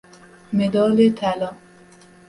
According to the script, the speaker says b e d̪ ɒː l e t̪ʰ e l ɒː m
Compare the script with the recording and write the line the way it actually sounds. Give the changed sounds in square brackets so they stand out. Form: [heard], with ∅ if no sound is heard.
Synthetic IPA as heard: [m] e d̪ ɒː l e t̪ʰ [æ] l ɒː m